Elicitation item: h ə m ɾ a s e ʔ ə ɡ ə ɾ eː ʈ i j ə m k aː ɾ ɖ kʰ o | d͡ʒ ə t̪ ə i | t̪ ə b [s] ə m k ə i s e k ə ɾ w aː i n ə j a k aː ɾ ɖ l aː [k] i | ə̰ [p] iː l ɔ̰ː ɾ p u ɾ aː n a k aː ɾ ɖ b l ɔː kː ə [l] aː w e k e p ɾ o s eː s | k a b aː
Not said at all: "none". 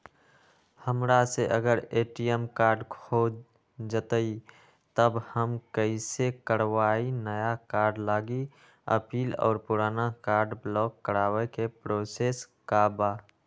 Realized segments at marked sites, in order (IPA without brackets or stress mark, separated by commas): h, ɡ, p, ɾ